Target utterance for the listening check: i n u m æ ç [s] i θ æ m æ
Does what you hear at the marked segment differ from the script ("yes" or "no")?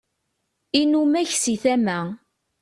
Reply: no